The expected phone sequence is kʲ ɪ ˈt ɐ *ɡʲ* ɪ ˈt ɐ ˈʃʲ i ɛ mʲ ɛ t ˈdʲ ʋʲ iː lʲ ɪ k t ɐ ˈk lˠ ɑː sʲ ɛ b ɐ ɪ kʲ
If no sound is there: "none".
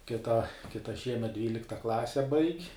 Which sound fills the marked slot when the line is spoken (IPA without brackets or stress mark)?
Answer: kʲ